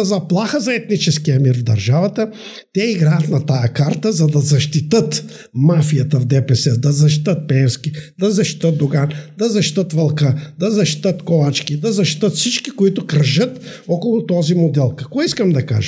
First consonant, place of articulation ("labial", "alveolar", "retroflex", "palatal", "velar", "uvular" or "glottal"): alveolar